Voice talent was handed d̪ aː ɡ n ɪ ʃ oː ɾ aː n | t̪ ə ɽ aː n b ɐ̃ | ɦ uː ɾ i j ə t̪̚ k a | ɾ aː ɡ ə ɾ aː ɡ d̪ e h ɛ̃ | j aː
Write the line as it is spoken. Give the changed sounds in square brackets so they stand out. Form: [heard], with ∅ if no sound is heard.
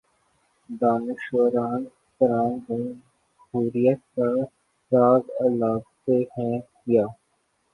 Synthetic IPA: d̪ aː [∅] n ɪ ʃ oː ɾ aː n | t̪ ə [ɾ] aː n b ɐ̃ | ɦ uː ɾ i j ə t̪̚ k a | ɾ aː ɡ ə [l] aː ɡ [t̪] e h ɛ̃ | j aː